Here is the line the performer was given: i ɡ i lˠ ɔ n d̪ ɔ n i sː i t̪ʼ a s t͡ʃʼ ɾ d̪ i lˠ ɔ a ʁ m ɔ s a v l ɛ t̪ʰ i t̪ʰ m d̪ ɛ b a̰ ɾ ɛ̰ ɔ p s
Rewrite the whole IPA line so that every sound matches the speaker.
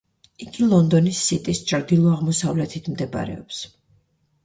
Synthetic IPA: i ɡ i lˠ ɔ n d̪ ɔ n i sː i t̪ʼ i s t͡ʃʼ ɾ d̪ i lˠ ɔ a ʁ m ɔ s a v l ɛ t̪ʰ i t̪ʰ m d̪ ɛ b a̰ ɾ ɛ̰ ɔ p s